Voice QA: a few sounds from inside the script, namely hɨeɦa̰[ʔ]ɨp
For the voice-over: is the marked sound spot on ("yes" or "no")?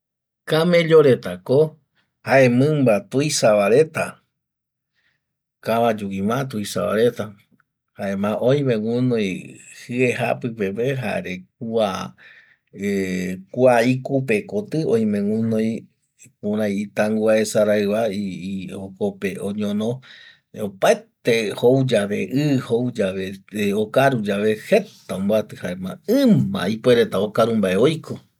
no